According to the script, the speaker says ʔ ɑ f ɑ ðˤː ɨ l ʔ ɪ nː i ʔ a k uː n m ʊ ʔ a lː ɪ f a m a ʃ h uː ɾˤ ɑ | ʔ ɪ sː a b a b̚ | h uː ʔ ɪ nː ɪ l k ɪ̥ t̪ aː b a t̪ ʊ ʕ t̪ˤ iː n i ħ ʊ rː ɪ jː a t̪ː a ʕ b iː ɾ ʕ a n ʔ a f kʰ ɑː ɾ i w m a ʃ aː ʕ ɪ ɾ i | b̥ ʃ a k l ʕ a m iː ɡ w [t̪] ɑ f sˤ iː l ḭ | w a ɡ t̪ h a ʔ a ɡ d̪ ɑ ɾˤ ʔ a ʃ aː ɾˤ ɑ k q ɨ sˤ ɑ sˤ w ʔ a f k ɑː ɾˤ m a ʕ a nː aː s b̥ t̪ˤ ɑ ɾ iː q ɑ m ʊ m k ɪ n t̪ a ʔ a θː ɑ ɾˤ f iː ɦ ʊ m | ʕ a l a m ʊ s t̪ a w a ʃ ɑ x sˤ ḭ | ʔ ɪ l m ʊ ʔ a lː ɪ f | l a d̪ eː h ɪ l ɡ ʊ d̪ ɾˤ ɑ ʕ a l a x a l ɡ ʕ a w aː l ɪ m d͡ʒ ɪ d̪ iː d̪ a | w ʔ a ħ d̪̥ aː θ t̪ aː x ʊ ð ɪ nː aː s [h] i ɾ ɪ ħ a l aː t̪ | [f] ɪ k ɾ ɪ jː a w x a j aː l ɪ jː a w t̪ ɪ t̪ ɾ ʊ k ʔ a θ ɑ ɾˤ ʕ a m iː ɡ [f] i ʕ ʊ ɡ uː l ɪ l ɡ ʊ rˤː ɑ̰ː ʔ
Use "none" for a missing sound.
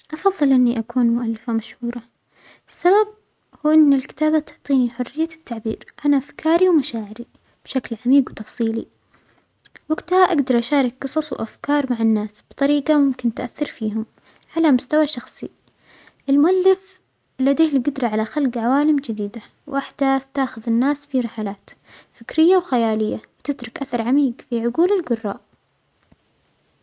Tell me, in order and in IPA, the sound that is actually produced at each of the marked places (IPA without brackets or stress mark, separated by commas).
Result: t̪, f, f, f